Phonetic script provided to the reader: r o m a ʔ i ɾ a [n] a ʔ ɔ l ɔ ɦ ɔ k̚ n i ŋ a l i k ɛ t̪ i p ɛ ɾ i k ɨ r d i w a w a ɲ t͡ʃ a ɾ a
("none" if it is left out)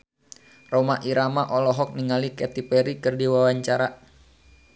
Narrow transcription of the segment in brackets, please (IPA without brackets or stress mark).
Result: m